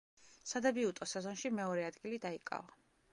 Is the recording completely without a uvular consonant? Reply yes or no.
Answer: yes